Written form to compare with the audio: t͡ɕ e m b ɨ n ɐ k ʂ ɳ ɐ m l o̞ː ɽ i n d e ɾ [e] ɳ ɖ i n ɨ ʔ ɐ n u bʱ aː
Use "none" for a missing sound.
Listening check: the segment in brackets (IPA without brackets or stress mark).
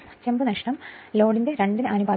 e